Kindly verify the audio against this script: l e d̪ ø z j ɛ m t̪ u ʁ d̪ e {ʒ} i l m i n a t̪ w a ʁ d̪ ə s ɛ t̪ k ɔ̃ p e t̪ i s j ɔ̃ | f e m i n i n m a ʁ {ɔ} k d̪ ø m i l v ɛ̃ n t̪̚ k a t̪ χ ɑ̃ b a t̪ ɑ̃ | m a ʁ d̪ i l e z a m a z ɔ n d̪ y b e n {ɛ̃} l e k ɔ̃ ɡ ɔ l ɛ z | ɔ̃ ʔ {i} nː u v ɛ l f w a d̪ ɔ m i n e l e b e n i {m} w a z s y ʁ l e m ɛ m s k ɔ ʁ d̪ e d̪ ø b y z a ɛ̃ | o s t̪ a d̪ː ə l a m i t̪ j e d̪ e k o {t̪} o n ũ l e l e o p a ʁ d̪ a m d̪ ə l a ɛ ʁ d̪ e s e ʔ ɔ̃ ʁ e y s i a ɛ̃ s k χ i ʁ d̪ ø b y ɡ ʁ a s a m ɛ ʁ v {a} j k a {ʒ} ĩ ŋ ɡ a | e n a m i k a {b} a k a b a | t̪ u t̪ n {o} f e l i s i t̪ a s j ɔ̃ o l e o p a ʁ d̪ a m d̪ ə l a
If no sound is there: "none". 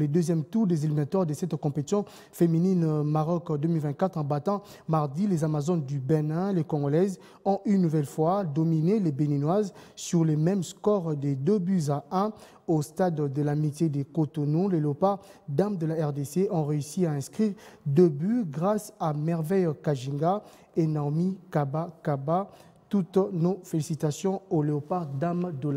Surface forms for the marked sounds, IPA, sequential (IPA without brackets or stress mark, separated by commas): z, ɔ, ɛ̃, y, n, t̪, ɛ, ʒ, b, o